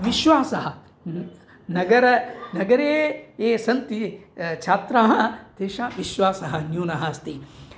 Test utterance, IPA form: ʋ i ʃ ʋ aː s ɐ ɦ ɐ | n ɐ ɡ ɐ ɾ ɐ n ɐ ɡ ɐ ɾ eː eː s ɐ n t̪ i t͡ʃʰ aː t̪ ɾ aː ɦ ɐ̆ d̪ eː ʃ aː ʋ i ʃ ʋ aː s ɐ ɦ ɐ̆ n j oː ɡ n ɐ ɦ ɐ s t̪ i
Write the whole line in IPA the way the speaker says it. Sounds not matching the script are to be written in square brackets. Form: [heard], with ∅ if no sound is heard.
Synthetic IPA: ʋ i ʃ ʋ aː s ɐ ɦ ɐ | n ɐ ɡ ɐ ɾ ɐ n ɐ ɡ ɐ ɾ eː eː s ɐ n t̪ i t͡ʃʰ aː t̪ ɾ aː ɦ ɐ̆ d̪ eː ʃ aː ʋ i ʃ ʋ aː s ɐ ɦ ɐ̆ n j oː [∅] n ɐ ɦ ɐ s t̪ i